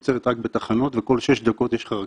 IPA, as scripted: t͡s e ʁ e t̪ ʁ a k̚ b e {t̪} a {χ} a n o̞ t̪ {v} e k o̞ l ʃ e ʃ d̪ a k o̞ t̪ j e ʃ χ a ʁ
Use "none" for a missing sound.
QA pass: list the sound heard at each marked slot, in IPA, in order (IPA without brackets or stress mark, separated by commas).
t̪, χ, v